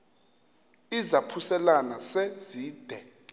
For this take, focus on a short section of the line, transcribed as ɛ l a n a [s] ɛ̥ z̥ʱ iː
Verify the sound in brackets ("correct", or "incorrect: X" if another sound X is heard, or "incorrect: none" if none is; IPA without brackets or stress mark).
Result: correct